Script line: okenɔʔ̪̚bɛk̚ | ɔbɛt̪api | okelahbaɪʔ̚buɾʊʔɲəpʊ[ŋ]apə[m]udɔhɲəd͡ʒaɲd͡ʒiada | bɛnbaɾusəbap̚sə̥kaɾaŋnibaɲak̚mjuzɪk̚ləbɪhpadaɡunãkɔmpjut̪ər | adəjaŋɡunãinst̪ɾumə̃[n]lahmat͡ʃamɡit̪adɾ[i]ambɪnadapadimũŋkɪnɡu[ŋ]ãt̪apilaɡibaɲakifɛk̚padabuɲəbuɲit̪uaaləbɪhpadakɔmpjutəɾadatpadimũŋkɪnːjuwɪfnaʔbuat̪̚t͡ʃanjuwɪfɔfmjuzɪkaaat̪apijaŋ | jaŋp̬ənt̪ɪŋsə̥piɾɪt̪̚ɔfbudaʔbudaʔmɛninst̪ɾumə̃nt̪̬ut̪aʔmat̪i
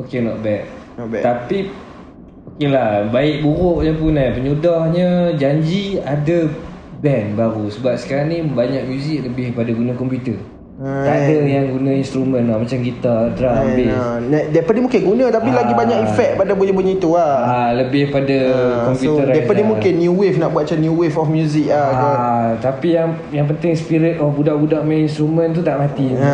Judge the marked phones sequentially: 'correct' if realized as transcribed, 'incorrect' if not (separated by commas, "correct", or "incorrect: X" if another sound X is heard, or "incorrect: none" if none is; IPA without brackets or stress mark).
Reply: incorrect: n, incorrect: ɲ, correct, incorrect: a, incorrect: n